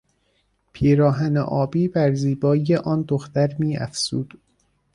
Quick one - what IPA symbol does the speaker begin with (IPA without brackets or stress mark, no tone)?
pʰ